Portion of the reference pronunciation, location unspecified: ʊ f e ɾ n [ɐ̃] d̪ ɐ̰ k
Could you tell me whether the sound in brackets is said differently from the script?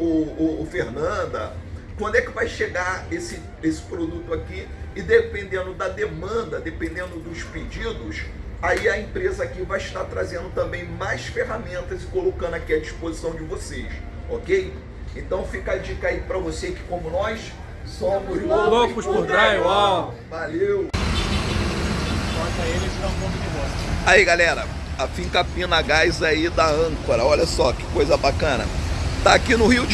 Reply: no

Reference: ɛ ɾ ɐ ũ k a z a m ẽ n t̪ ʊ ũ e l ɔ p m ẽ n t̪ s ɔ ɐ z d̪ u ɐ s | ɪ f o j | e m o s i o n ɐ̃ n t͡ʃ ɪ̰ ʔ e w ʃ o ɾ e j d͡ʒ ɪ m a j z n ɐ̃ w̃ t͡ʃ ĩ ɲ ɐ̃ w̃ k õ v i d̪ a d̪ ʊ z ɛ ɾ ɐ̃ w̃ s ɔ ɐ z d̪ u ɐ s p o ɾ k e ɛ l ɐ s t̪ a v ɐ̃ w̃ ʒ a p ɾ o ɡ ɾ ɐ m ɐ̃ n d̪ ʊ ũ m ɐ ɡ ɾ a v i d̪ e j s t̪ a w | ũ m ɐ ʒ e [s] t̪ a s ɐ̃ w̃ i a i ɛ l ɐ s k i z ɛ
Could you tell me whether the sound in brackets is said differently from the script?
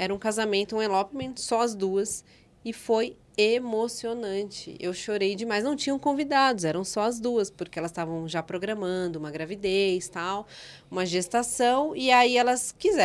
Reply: no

